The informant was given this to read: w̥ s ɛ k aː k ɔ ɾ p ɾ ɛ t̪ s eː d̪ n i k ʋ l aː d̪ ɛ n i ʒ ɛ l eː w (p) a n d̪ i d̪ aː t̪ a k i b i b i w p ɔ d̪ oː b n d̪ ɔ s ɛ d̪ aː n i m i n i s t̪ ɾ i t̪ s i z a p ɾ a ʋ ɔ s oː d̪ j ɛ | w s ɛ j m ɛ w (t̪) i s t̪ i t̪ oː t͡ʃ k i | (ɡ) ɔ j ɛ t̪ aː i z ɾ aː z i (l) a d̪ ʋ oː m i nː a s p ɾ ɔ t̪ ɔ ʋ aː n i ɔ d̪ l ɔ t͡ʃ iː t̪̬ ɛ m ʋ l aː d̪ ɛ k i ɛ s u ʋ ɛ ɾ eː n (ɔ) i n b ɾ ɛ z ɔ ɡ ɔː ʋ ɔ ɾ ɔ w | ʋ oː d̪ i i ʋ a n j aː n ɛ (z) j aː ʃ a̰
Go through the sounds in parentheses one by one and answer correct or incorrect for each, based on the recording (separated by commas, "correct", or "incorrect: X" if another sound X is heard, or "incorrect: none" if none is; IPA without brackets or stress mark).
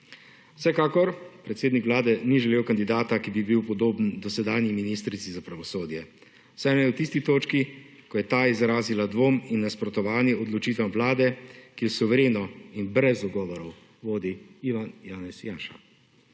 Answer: incorrect: k, correct, incorrect: k, correct, correct, incorrect: s